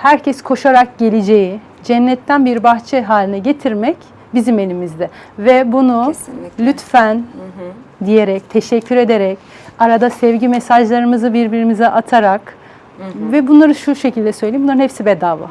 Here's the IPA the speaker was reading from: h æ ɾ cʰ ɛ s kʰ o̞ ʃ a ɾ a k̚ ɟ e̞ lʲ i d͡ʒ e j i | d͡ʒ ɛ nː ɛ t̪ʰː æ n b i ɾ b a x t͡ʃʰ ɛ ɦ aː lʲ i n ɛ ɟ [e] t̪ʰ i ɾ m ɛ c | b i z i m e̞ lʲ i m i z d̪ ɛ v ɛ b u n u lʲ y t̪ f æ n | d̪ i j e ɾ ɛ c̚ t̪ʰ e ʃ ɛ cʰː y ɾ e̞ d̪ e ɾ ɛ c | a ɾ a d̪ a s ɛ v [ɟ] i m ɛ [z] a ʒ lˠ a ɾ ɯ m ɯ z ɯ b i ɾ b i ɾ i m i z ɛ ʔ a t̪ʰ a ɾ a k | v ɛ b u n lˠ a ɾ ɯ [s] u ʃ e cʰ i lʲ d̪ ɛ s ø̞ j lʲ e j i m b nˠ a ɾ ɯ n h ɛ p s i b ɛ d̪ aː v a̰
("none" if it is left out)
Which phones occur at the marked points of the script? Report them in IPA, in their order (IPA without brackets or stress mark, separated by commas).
e, ɟ, s, ʃ